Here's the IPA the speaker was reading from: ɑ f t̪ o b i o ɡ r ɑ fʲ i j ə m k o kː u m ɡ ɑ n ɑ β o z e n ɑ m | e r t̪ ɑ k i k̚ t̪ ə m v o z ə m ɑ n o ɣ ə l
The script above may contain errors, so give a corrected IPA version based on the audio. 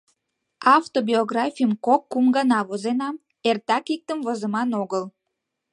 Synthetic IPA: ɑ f t̪ o b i o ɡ r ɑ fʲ i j ə m k o kː u m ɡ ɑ n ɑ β o z e n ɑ m | e r t̪ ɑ k i k̚ t̪ ə m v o z ə m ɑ n o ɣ ə l